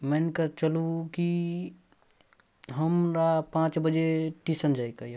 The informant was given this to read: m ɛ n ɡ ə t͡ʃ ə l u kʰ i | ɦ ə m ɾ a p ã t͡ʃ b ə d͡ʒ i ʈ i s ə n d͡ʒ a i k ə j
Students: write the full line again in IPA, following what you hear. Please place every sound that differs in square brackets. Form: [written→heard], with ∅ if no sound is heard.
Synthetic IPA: m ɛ n [ɡ→k] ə t͡ʃ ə l u [kʰ→k] i | ɦ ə m ɾ a p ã t͡ʃ b ə d͡ʒ [i→e] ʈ i s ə n d͡ʒ a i k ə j